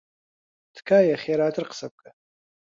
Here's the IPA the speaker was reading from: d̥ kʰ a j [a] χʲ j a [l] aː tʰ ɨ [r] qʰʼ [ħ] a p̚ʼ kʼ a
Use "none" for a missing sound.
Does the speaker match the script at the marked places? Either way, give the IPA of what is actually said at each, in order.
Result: a, ɾ, r, s

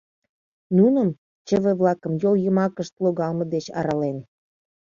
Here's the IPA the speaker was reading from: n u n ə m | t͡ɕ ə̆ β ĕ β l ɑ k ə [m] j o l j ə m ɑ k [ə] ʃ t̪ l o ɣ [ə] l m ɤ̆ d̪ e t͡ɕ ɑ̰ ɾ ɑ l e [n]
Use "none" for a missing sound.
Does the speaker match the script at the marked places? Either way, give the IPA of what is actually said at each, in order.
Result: m, ə, ɑ, n

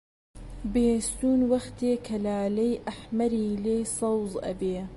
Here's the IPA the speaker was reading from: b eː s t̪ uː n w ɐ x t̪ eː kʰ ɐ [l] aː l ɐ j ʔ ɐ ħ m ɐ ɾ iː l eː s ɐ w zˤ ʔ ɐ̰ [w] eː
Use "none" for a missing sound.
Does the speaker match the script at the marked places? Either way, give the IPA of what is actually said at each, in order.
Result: l, b

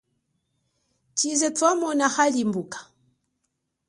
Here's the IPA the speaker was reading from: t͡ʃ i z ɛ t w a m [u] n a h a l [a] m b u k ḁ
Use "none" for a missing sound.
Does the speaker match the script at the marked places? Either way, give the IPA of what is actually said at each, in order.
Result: ɔ, i

